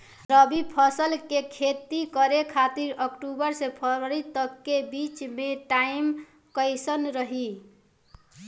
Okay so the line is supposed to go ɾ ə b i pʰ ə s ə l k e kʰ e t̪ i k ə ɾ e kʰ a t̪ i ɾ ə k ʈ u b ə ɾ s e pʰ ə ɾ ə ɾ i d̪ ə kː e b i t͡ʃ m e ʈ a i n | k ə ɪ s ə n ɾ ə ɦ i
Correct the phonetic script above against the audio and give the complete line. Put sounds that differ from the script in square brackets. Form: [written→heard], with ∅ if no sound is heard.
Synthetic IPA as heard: ɾ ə b i pʰ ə s ə l k e kʰ e t̪ i k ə ɾ e kʰ a t̪ i ɾ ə k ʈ u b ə ɾ s e pʰ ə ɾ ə ɾ i [d̪→t̪] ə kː e b i t͡ʃ m e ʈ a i [n→m] | k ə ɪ s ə n ɾ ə ɦ i